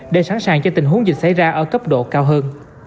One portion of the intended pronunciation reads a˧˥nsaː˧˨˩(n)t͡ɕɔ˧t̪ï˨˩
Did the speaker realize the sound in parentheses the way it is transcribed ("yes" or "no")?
no